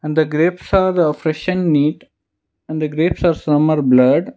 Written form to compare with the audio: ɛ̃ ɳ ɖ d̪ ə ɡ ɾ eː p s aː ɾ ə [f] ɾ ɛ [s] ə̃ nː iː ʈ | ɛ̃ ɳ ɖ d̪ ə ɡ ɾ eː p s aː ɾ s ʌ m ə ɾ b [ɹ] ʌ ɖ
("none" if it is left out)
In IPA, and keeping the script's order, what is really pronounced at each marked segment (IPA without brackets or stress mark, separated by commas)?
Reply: f, ʃ, l